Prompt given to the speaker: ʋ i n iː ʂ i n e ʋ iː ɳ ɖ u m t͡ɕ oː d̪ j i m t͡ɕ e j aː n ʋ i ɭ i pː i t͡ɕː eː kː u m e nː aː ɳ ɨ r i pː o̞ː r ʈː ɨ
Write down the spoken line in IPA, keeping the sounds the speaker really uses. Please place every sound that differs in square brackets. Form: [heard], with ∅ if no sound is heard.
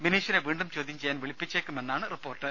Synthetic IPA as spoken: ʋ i n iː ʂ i n e ʋ iː ɳ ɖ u m t͡ɕ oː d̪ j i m t͡ɕ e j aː n ʋ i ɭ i pː i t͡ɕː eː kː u m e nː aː ɳ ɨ r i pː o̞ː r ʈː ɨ